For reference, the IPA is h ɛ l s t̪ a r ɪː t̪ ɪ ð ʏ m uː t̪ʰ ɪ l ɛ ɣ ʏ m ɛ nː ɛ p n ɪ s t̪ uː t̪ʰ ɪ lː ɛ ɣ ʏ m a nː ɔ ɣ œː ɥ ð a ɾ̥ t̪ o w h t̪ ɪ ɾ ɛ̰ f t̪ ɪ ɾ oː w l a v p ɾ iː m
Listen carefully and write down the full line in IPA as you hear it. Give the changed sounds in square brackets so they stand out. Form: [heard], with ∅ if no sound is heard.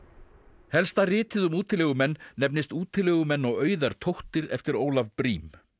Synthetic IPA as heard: h ɛ l s t̪ a r ɪː t̪ ɪ ð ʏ m uː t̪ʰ ɪ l ɛ ɣ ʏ m ɛ nː ɛ p n ɪ s t̪ uː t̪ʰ ɪ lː ɛ ɣ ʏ m [ɛ] nː ɔ ɣ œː ɥ ð a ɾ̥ [t̪ʰ] o w h t̪ ɪ ɾ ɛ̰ f t̪ ɪ ɾ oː w l a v p ɾ iː m